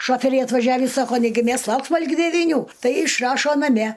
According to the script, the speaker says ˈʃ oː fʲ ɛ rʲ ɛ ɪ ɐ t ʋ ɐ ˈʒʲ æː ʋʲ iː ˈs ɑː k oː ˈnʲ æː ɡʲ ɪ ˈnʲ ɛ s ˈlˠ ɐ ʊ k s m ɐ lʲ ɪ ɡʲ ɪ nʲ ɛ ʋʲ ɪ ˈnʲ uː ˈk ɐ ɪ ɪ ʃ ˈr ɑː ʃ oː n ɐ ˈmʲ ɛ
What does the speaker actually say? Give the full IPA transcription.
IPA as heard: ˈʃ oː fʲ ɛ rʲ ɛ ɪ ɐ t ʋ ɐ ˈʒʲ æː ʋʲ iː ˈs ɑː k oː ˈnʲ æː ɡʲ ɪ ˈmʲ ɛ s ˈlˠ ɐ ʊ k s m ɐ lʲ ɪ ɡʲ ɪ dʲ ɛ ʋʲ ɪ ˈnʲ uː ˈt ɐ ɪ ɪ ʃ ˈr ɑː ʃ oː n ɐ ˈmʲ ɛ